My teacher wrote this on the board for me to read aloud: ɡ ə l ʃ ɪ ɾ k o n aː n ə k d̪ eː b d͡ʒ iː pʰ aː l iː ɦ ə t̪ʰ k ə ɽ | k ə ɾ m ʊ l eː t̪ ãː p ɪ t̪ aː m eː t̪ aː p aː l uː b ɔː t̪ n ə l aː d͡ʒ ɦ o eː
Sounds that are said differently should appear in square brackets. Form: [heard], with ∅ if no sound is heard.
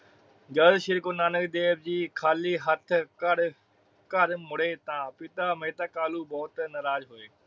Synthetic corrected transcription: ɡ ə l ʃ ɪ ɾ k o n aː n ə k d̪ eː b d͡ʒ iː [kʰ] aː l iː ɦ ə t̪ʰ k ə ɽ | k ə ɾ m ʊ [ɽ] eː t̪ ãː p ɪ t̪ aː m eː t̪ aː [k] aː l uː b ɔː t̪ n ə [ɾ] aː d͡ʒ ɦ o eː